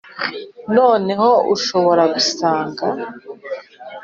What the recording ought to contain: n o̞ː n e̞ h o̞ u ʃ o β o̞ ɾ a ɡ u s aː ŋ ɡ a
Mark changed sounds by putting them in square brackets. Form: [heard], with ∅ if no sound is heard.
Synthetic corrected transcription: n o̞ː n e̞ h o̞ u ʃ o β o̞ ɾ a ɡ u s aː ŋ ɡ a